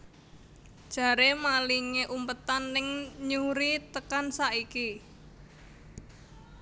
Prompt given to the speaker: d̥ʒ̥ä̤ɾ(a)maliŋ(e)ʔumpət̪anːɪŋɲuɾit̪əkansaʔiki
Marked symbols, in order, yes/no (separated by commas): no, yes